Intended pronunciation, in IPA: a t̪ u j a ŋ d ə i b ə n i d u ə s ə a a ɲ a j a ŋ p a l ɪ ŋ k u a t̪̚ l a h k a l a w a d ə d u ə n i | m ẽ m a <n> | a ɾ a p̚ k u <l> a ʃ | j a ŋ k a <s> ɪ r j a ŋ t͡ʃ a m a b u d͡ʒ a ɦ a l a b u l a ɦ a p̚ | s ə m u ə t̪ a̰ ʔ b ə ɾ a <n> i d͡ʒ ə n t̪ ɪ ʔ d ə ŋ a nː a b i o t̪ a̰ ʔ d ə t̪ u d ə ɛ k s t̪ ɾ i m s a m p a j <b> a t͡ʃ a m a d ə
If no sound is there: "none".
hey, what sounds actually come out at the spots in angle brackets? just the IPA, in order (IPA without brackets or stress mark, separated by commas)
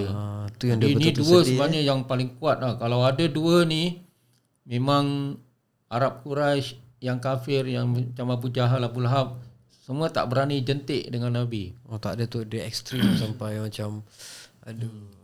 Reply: ŋ, ɾ, f, n, m